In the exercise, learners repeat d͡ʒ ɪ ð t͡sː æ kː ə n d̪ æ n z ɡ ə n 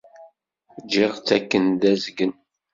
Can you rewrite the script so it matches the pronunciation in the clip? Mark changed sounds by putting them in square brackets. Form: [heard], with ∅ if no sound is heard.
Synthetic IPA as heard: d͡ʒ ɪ [ʁ] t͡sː æ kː ə n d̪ æ [∅] z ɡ ə n